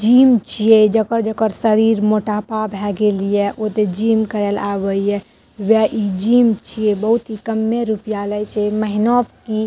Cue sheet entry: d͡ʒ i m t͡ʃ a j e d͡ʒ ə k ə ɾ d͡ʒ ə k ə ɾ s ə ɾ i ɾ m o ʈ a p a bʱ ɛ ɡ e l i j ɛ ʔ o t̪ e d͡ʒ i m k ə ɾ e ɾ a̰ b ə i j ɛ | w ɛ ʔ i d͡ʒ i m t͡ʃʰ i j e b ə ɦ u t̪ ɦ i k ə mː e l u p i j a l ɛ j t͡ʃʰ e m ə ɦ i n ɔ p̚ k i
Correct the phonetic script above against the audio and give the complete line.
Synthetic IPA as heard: d͡ʒ i m t͡ʃ i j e d͡ʒ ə k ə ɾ d͡ʒ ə k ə ɾ s ə ɾ i ɾ m o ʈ a p a bʱ ɛ ɡ e l i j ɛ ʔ o t̪ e d͡ʒ i m k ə ɾ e l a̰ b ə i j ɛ | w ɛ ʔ i d͡ʒ i m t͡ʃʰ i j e b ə ɦ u t̪ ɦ i k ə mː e ɾ u p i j a l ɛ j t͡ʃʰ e m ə ɦ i n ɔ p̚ k i